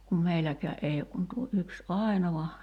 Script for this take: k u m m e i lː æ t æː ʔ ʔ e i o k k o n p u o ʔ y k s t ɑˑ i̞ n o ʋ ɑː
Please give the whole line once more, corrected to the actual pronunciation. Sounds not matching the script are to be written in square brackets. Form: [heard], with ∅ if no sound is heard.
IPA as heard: k u m m e i [l] æ [k] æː ʔ ʔ e i o k k [u] n [t] u o ʔ y k s [ʔ] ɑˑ i̞ n o ʋ [ɑ]